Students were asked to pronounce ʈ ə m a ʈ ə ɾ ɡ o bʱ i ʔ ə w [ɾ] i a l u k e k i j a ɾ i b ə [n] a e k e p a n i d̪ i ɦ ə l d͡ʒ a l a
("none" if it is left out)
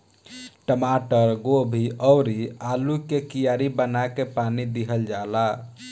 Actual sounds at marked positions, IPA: ɾ, n

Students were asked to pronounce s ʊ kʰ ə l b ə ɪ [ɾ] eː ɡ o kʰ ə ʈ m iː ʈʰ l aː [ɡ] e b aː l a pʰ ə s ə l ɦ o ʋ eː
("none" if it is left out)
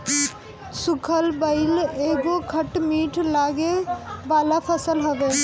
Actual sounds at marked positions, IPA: l, ɡ

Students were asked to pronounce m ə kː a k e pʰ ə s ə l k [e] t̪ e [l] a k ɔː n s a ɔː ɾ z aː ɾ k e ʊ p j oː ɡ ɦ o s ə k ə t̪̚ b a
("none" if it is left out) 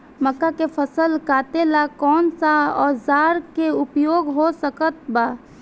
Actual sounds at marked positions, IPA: a, l

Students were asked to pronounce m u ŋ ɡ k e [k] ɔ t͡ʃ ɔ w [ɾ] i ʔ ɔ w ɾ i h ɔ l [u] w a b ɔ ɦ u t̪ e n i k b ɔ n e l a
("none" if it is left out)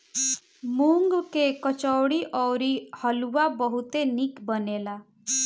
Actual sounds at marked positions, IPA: k, ɽ, u

